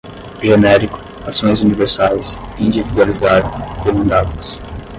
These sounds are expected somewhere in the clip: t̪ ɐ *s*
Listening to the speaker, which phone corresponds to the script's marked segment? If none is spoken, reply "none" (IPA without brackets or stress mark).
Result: s